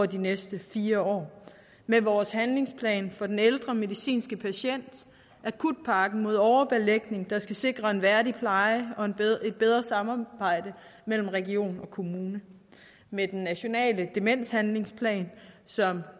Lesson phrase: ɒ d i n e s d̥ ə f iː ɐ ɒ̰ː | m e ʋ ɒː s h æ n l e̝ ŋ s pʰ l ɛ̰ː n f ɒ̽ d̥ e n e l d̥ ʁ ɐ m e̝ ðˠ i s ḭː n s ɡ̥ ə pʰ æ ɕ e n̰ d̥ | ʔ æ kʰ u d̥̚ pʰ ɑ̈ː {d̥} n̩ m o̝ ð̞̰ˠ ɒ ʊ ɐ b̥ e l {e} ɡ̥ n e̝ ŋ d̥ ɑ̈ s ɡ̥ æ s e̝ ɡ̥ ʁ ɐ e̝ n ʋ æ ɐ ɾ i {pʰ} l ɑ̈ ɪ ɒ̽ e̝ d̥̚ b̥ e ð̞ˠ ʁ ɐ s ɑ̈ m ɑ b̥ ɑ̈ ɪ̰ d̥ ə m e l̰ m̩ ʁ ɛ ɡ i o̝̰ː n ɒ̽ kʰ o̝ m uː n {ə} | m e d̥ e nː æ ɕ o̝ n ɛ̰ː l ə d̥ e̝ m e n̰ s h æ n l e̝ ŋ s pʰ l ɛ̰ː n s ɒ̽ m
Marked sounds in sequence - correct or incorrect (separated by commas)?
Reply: incorrect, correct, correct, correct